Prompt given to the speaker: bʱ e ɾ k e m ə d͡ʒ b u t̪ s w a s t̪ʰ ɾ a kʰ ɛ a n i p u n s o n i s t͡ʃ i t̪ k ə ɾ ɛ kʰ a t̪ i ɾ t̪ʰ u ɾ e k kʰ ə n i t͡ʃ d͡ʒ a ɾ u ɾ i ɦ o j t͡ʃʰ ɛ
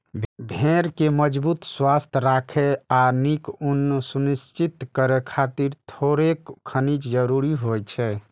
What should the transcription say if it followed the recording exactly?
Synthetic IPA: bʱ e ɾ k e m ə d͡ʒ b u t̪ s w a s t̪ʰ ɾ a kʰ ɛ a n i k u n s u n i s t͡ʃ i t̪ k ə ɾ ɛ kʰ a t̪ i ɾ t̪ʰ o ɾ e k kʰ ə n i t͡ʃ d͡ʒ ə ɾ u ɾ i ɦ o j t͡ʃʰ ɛ

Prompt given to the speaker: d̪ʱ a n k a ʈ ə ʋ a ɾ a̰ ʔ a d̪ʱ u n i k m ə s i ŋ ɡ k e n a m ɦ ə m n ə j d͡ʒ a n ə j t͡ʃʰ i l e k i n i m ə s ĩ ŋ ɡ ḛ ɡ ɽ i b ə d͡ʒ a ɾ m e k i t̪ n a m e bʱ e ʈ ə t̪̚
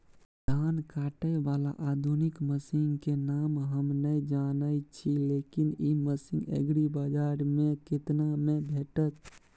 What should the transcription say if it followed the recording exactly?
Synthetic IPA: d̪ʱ a n k a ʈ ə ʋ a l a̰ ʔ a d̪ʱ u n i k m ə s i ŋ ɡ k e n a m ɦ ə m n ə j d͡ʒ a n ə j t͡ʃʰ i l e k i n i m ə s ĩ ŋ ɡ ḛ ɡ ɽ i b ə d͡ʒ a ɾ m e k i t̪ n a m e bʱ e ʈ ə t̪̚

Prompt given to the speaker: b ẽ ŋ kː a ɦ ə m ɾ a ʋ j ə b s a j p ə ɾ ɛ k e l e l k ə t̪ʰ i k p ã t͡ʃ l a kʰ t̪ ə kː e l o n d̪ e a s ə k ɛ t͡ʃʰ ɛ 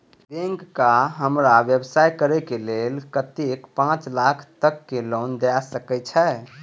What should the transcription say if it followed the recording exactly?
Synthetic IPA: b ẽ ŋ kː a ɦ ə m ɾ a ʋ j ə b s a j k ə ɾ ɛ k e l e l k ə t̪ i k p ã t͡ʃ l a kʰ t̪ ə kː e l o n d̪ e a s ə k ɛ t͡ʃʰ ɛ

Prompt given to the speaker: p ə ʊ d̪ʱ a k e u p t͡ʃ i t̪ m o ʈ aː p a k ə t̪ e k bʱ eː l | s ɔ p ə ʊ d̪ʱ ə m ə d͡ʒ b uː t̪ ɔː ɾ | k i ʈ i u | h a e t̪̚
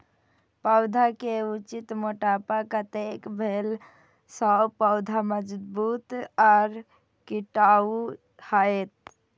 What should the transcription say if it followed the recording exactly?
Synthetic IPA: p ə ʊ d̪ʱ a k e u t͡ʃ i t̪ m o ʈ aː p a k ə t̪ e k bʱ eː l | s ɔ p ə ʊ d̪ʱ a m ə d͡ʒ b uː t̪ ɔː ɾ | k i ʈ a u | h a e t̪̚

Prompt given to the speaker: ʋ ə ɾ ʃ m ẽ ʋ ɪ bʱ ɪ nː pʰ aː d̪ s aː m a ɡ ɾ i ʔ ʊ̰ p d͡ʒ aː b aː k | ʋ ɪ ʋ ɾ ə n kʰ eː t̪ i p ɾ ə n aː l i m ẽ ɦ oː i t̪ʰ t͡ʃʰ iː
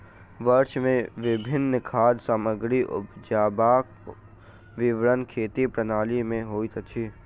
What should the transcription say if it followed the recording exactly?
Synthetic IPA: ʋ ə ɾ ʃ m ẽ ʋ ɪ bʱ ɪ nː kʰ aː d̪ s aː m ə ɡ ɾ i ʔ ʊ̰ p d͡ʒ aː b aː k | ʋ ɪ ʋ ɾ ə n kʰ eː t̪ i p ɾ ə n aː l i m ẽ ɦ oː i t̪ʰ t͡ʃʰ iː

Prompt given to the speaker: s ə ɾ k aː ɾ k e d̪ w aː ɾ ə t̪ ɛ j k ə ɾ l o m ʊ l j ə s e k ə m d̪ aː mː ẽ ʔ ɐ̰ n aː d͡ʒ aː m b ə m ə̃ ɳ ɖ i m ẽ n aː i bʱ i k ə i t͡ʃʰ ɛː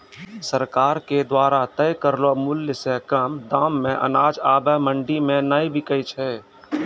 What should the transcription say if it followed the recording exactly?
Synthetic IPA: s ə ɾ k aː ɾ k e d̪ w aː ɾ a t̪ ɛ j k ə ɾ l o m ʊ l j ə s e k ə m d̪ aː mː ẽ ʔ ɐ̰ n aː d͡ʒ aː b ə m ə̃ ɳ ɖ i m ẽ n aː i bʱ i k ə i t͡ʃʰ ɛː

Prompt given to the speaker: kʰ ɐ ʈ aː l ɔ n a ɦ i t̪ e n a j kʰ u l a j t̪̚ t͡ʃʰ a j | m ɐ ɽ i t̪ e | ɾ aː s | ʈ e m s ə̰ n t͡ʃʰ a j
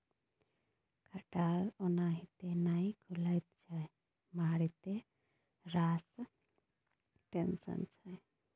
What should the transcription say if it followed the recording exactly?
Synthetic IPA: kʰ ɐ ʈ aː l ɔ n a ɦ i t̪ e n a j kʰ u l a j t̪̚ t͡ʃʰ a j | m a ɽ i t̪ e | ɾ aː s | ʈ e n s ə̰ n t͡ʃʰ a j

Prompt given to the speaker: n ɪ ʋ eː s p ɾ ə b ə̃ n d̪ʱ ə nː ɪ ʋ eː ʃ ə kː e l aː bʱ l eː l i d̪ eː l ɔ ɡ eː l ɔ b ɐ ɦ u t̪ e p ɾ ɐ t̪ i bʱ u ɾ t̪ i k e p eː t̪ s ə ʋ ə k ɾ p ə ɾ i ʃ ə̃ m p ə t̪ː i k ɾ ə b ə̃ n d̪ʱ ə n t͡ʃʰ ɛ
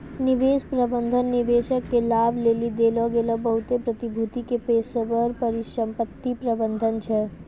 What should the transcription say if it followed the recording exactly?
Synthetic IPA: n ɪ ʋ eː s p ɾ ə b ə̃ n d̪ʱ ə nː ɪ ʋ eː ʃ ə kː e l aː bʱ l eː l i d̪ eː l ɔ ɡ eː l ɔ b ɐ ɦ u t̪ e p ɾ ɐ t̪ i bʱ u t̪ i k e p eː s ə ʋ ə ɾ p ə ɾ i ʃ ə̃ m p ə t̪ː i p ɾ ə b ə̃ n d̪ʱ ə n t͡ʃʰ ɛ

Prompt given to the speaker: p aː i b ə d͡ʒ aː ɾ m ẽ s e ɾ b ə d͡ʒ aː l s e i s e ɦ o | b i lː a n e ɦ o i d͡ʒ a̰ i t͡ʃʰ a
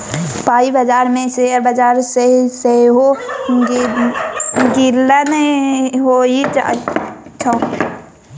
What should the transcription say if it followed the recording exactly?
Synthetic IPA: p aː i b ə d͡ʒ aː ɾ m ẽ s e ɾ b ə d͡ʒ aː ɾ s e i s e ɦ o | ɡ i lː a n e ɦ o i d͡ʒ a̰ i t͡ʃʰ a

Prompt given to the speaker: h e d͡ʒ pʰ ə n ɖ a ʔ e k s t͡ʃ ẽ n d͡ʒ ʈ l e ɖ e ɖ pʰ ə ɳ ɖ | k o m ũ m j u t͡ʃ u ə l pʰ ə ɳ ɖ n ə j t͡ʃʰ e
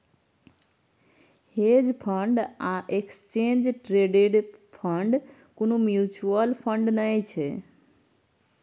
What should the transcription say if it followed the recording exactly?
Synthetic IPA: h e d͡ʒ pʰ ə ɳ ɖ a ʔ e k s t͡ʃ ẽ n d͡ʒ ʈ ɾ e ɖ e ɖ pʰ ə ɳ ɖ | k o n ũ m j u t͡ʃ u ə l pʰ ə ɳ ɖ n ə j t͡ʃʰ e

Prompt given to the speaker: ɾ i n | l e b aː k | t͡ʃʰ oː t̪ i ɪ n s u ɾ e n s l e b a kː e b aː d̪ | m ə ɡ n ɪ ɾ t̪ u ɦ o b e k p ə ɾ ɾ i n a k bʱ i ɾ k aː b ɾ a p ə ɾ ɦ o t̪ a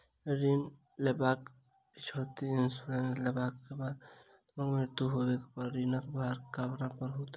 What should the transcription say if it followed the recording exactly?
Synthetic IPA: ɾ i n | l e b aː k | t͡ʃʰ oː t̪ i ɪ n s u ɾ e n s l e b a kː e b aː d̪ | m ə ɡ m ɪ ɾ t̪ u ɦ o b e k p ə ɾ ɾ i n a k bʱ a ɾ k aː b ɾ a p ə ɾ ɦ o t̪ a

